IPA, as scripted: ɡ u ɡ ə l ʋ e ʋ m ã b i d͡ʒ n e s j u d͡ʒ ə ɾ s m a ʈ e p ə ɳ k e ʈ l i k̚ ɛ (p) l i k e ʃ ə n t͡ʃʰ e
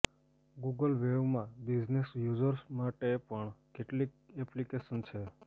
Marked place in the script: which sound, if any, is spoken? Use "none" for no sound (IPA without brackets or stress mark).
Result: p